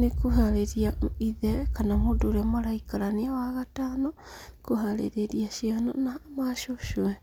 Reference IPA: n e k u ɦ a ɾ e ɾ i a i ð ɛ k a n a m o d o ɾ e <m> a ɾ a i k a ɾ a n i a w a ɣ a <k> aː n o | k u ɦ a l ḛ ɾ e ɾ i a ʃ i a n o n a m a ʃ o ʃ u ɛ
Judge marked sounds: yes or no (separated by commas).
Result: yes, no